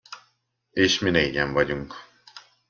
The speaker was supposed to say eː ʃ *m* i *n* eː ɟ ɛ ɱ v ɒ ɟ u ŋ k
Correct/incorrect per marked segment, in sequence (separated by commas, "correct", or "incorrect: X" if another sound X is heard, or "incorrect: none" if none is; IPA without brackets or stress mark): correct, correct